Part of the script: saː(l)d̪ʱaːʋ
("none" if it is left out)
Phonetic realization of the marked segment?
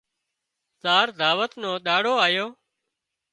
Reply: ɾ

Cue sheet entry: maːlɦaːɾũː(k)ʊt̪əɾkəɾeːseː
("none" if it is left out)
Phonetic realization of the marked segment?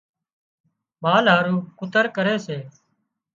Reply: k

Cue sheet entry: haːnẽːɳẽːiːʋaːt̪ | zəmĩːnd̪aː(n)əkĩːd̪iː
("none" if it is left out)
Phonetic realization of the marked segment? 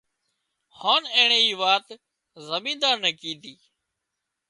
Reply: n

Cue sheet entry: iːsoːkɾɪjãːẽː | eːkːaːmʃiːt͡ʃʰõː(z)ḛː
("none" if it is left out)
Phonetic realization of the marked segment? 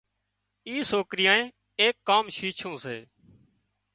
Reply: s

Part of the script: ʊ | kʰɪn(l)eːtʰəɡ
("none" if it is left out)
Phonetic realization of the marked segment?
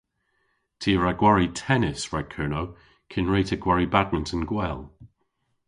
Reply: ɹ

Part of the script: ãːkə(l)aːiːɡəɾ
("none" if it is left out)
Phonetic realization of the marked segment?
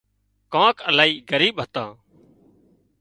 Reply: l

